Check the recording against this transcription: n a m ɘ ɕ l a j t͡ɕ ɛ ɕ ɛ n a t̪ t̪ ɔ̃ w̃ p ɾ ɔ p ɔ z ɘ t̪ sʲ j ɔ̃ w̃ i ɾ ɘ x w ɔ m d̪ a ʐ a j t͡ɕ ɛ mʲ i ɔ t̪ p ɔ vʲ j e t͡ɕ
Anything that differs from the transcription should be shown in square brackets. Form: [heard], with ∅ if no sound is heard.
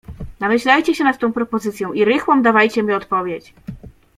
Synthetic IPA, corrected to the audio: n a m ɘ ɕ l a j t͡ɕ ɛ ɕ ɛ n a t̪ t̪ ɔ̃ w̃ p ɾ ɔ p ɔ z ɘ t̪ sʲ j ɔ̃ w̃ i ɾ ɘ x w ɔ m d̪ a [v] a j t͡ɕ ɛ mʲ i ɔ t̪ p ɔ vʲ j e t͡ɕ